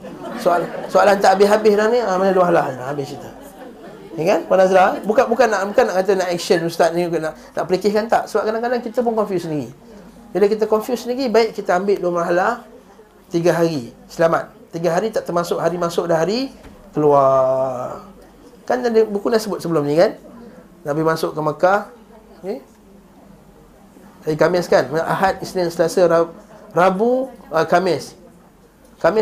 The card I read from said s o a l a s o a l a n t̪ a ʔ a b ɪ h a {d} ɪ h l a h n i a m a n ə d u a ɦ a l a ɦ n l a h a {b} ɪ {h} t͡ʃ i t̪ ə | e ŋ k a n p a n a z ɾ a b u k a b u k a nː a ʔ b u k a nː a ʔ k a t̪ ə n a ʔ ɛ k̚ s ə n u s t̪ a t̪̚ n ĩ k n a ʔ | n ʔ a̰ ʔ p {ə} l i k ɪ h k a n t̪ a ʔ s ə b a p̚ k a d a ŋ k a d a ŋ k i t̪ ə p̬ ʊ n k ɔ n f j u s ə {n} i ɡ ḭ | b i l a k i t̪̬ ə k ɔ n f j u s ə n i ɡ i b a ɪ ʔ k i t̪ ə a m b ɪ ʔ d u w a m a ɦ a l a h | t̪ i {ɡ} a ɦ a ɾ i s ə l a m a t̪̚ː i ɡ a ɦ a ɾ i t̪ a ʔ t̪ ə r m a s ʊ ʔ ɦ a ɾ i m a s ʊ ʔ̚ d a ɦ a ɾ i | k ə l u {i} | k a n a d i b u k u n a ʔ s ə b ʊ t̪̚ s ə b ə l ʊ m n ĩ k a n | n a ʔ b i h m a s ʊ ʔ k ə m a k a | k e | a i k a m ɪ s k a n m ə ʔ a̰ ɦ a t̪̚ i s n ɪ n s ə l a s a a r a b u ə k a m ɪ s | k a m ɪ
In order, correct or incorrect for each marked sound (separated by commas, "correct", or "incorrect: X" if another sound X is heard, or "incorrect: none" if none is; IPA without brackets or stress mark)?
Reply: incorrect: b, correct, correct, correct, correct, correct, incorrect: a